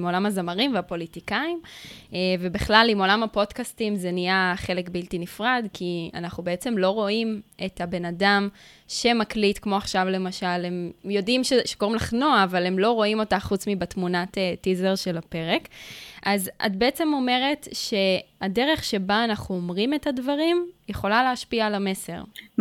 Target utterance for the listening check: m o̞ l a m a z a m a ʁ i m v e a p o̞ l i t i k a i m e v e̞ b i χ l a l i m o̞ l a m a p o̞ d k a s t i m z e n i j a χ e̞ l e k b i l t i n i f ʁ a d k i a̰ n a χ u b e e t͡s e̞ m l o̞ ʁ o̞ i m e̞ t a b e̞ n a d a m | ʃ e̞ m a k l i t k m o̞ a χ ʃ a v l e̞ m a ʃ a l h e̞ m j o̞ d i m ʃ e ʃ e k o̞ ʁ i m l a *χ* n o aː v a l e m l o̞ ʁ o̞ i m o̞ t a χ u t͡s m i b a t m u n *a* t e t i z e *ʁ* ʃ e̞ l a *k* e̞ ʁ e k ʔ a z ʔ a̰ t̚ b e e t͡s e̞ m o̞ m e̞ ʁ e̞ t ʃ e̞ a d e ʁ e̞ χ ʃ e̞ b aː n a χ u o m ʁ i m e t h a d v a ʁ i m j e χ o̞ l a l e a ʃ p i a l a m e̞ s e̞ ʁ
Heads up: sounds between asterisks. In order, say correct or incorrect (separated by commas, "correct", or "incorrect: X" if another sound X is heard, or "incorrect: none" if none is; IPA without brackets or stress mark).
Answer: correct, correct, correct, incorrect: p